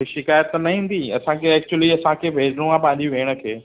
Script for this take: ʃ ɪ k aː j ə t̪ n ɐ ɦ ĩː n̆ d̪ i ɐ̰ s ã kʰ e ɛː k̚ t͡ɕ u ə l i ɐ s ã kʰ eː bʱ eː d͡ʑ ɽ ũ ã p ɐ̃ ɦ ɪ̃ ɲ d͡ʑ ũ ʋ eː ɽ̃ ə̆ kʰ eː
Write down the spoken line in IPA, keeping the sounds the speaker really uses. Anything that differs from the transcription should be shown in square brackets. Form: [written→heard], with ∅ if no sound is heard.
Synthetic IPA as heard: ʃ ɪ k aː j ə t̪ n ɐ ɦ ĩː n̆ d̪ i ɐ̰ s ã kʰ e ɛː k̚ t͡ɕ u ə l i ɐ s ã kʰ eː bʱ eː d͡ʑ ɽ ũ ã p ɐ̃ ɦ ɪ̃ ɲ d͡ʑ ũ ʋ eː ɽ̃ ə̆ kʰ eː